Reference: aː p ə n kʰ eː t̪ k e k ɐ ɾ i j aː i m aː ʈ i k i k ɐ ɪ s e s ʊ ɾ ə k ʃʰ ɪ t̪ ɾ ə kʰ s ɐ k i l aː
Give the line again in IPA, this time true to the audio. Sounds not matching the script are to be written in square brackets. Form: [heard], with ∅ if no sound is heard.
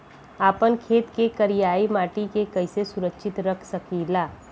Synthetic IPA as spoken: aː p ə n kʰ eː t̪ k e k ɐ ɾ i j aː i m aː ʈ i k [e] k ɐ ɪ s e s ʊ ɾ ə k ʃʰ ɪ t̪ ɾ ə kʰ s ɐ k i l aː